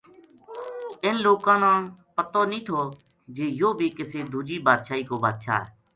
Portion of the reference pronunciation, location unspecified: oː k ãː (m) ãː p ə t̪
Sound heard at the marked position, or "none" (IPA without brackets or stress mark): n